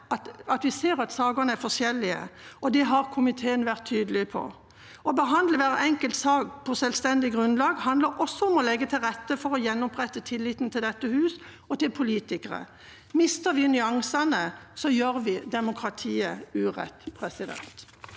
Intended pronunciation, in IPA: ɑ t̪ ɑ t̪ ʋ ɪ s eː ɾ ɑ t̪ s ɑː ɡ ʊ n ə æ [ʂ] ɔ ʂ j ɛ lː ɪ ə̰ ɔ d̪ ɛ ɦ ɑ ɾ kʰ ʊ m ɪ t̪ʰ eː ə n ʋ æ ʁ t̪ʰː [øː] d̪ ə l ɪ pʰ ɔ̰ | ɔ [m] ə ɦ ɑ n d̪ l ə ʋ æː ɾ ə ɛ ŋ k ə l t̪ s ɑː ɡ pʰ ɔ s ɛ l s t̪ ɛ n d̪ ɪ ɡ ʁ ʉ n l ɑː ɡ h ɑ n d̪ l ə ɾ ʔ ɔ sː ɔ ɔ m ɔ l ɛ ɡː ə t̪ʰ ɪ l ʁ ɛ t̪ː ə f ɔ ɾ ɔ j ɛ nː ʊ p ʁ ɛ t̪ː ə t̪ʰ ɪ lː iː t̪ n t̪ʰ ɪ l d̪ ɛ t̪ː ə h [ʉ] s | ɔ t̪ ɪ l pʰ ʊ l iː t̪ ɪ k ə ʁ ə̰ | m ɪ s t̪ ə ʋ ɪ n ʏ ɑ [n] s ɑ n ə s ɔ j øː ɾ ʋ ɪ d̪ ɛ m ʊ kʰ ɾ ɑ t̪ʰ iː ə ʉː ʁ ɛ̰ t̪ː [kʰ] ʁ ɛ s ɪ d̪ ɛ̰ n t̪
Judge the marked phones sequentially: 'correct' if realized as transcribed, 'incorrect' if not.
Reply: incorrect: f, incorrect: yː, incorrect: b, incorrect: ʉː, incorrect: ŋ, incorrect: pʰ

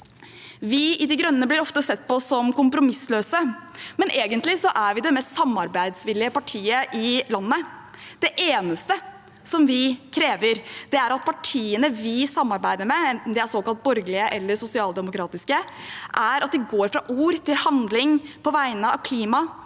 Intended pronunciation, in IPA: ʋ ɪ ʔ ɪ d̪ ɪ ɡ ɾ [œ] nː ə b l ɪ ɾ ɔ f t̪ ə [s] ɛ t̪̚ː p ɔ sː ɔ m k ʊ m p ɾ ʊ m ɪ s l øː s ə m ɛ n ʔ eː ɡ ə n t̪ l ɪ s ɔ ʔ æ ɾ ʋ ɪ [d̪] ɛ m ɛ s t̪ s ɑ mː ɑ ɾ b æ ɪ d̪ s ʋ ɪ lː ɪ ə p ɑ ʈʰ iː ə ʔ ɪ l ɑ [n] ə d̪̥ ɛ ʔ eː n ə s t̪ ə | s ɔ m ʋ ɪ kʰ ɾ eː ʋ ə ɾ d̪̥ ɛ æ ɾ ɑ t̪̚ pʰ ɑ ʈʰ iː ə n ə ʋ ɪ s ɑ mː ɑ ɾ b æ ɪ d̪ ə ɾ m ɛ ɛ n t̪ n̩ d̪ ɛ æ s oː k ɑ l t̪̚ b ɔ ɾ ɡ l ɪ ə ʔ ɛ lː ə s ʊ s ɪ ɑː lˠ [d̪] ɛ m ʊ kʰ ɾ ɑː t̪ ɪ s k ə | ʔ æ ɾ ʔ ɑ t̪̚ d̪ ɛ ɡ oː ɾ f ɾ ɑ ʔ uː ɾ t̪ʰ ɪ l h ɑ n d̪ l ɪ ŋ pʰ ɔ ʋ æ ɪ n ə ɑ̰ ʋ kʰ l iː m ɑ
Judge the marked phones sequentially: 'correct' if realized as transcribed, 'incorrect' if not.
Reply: correct, correct, correct, incorrect: nː, correct

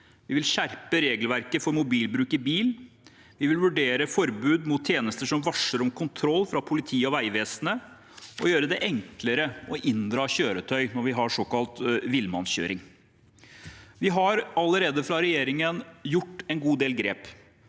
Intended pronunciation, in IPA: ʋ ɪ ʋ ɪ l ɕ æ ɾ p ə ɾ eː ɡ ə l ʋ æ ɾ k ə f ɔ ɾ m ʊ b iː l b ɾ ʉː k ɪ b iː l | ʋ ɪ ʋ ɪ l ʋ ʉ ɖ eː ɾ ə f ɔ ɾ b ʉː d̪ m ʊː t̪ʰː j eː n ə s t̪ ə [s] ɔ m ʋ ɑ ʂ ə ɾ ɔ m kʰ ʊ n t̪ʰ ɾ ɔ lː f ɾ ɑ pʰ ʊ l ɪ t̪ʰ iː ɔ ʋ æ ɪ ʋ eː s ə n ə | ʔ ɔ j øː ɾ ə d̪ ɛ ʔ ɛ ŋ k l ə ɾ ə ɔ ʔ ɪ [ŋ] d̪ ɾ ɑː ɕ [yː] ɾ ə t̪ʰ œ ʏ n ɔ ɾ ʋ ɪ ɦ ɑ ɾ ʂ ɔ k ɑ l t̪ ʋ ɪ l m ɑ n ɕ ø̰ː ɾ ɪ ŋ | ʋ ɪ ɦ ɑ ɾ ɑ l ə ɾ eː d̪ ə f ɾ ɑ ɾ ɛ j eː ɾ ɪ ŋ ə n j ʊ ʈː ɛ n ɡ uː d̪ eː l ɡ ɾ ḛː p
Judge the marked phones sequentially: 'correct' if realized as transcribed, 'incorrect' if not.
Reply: incorrect: ʂ, incorrect: n, incorrect: øː

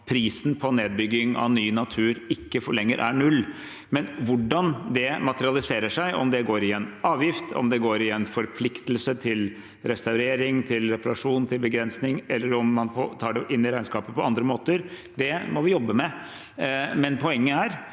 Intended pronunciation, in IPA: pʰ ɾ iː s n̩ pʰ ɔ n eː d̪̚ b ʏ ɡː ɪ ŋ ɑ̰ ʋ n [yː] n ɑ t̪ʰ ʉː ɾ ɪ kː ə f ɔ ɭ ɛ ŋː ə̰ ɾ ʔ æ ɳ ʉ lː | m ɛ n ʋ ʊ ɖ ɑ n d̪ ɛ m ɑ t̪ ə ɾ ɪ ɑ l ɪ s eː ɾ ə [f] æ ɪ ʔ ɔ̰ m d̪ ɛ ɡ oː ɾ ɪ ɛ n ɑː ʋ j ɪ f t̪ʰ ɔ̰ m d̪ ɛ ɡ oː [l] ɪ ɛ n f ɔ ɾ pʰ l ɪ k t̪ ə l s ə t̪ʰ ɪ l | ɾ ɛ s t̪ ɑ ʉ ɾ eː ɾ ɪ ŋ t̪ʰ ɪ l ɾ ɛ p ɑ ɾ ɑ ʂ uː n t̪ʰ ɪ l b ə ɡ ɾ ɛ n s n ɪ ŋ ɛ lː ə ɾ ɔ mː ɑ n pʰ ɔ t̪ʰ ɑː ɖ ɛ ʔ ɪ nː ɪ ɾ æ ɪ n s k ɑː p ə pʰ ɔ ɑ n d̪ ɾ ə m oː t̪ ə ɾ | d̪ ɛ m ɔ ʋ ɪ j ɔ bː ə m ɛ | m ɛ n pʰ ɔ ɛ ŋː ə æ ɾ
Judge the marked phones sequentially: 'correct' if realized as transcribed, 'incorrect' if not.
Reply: correct, incorrect: ʂ, incorrect: ɾ

